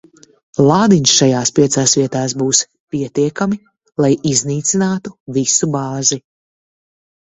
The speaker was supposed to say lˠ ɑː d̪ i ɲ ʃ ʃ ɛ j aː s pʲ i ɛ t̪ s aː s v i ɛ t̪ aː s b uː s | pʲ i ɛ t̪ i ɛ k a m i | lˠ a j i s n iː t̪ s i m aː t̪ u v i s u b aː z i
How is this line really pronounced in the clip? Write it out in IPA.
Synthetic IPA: lˠ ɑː d̪ i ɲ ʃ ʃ a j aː s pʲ i ɛ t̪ s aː s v i ɛ t̪ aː s b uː s | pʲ i ɛ t̪ i ɛ k a m i | lˠ a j i z n iː t̪ s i n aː t̪ u v i s u b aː z i